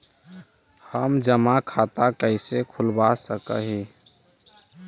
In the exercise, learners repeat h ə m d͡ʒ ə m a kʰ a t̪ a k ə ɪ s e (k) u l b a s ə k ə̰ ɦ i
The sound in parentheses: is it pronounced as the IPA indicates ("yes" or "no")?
no